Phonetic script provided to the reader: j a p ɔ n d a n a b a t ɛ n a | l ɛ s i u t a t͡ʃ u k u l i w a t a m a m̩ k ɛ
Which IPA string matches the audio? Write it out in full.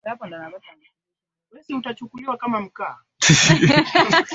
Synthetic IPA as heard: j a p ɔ n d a n a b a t a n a | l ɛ s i u t a t͡ʃ u k u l i w a k a m a m̩ k a